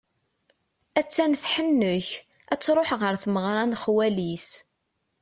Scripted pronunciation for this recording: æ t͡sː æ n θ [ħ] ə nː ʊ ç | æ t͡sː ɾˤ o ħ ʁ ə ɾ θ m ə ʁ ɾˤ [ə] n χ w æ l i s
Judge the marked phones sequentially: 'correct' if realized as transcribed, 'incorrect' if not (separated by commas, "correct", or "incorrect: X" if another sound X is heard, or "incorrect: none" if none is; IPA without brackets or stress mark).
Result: correct, incorrect: ɑ